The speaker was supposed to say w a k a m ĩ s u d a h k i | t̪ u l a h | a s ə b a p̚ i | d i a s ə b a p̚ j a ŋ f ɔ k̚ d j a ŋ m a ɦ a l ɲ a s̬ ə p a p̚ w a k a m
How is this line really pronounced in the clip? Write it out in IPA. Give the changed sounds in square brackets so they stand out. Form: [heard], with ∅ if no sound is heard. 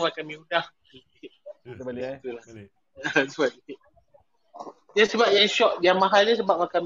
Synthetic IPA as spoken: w a k a m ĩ [∅] u d a h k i | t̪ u l a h | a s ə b a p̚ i | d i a s ə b a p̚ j a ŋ [ʃ] ɔ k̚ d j a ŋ m a ɦ a l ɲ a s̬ ə [b] a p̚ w a k a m